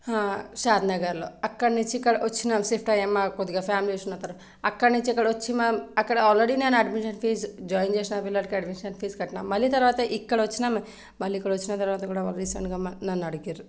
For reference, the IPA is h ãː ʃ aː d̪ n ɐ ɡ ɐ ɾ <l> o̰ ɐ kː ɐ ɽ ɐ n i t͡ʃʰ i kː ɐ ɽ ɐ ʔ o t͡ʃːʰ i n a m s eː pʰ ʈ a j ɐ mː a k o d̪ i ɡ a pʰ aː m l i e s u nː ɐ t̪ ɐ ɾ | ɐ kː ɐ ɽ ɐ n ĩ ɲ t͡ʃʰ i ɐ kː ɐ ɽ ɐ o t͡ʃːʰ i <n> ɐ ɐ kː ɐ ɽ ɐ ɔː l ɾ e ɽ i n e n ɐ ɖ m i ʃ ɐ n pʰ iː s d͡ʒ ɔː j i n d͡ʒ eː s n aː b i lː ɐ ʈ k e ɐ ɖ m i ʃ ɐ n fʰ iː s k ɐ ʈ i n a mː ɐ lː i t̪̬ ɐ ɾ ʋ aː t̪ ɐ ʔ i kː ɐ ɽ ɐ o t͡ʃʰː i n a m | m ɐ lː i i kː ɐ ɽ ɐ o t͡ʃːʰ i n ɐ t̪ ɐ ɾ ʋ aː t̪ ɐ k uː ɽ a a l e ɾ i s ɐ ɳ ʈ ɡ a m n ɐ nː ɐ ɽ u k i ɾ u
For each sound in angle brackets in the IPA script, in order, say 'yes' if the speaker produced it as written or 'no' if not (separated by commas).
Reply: yes, no